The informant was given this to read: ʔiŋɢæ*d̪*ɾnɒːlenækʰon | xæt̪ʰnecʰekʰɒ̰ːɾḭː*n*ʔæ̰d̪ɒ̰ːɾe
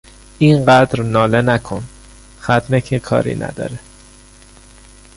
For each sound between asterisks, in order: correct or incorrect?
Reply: correct, correct

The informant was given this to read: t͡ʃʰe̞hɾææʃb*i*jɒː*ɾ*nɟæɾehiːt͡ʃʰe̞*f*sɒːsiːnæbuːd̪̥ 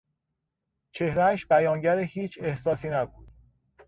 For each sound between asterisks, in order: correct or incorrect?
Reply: incorrect, incorrect, incorrect

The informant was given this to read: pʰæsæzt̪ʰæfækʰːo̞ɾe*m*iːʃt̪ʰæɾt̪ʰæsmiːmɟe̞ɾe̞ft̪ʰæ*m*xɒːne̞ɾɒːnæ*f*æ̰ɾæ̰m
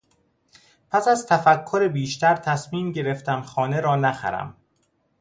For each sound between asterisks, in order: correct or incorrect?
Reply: incorrect, correct, incorrect

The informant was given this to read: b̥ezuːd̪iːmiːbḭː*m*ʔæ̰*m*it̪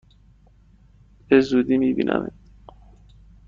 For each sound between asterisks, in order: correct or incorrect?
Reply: incorrect, correct

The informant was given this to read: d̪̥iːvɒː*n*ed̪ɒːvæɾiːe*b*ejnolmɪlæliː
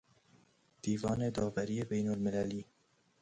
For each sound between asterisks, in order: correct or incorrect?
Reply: correct, correct

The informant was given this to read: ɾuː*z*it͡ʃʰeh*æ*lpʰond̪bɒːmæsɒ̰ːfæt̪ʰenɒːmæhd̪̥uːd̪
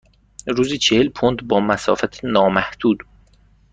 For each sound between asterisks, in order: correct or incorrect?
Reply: correct, incorrect

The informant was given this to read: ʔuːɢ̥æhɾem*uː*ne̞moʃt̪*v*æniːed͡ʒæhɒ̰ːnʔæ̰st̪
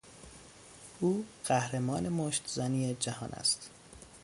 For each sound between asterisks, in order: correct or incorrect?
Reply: incorrect, incorrect

